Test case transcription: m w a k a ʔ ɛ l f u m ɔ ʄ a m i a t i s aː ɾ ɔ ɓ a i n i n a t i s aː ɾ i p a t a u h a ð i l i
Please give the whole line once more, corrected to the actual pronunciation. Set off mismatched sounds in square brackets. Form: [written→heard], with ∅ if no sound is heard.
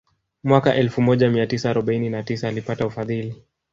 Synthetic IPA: m w a k a ʔ ɛ l f u m ɔ ʄ a m i a t i s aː ɾ ɔ ɓ a i n i n a t i s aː [ɾ→l] i p a t a u [h→f] a ð i l i